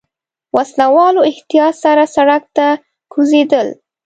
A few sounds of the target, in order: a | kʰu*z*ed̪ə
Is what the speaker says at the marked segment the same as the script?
yes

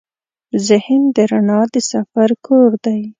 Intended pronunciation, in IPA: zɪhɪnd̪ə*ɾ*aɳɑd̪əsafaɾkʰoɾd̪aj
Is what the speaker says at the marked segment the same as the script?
yes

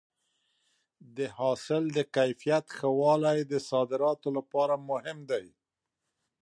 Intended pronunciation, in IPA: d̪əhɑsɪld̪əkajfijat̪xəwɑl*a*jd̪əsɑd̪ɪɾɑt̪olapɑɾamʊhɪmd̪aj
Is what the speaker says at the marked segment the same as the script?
yes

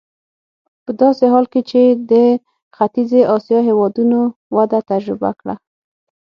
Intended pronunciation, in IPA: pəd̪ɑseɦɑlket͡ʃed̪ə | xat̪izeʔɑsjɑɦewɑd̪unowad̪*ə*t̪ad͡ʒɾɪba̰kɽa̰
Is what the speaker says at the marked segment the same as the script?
no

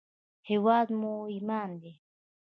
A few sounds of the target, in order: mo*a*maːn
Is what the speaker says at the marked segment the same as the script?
no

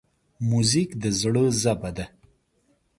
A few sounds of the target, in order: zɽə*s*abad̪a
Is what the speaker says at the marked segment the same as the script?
no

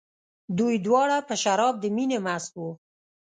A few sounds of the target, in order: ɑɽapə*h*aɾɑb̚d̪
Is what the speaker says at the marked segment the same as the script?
no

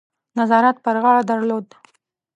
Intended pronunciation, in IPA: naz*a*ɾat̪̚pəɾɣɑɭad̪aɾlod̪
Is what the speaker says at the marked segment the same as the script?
no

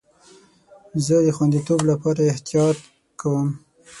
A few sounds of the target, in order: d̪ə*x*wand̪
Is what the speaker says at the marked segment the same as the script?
yes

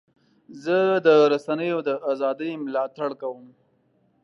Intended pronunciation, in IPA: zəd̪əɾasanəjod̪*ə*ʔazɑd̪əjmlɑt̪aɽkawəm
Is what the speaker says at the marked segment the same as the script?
yes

